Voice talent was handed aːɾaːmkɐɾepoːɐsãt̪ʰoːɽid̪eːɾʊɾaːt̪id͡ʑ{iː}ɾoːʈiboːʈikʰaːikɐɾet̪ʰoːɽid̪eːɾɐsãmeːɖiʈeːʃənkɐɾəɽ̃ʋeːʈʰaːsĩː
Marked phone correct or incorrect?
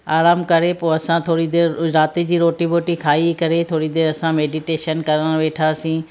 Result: correct